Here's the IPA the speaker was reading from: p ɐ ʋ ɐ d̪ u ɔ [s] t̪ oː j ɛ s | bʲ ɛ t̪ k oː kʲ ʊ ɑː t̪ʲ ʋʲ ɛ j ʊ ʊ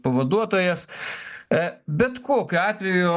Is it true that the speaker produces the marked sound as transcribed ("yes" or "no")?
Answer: no